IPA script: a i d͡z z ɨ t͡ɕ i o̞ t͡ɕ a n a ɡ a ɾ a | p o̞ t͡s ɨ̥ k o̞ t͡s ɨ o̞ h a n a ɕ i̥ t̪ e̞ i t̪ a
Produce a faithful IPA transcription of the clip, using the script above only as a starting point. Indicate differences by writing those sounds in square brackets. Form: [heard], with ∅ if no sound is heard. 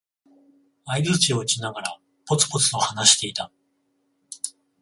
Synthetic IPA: a i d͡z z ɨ t͡ɕ i o̞ t͡ɕ [i] n a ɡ a ɾ a | p o̞ t͡s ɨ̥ [p] o̞ t͡s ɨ o̞ h a n a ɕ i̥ t̪ e̞ i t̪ a